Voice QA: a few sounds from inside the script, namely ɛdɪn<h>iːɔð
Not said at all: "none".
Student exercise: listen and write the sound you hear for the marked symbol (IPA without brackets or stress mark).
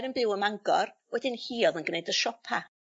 h